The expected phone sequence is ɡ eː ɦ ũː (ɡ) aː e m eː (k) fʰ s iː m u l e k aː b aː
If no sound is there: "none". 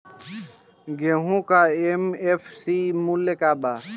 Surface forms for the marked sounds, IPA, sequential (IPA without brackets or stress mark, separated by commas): k, none